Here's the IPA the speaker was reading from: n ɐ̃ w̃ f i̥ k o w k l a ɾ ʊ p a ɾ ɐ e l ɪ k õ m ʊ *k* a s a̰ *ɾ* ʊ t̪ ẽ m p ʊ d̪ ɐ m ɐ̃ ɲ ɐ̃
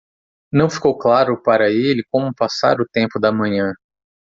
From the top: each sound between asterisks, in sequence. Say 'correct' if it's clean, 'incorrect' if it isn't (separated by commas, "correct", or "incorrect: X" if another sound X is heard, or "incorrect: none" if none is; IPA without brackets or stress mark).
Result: incorrect: p, correct